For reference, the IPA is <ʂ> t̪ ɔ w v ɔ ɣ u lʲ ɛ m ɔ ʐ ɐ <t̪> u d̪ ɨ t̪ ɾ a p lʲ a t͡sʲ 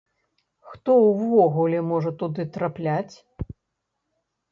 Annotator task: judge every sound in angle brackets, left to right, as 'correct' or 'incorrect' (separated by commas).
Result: incorrect, correct